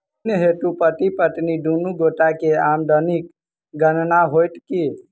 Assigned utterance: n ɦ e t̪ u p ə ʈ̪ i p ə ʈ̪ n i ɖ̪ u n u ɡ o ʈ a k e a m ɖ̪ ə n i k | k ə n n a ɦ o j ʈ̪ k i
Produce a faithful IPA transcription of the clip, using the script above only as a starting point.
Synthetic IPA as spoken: n ɦ e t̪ u p ə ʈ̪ i p ə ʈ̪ n i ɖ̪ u n u ɡ o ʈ a k e a m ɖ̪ ə n i k | ɡ ə n n a ɦ o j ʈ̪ k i